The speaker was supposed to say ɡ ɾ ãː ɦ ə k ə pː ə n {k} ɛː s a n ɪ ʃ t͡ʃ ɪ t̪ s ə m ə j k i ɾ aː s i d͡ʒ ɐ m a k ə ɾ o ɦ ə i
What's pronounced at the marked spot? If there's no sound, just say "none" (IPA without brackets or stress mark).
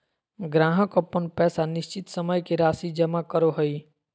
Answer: p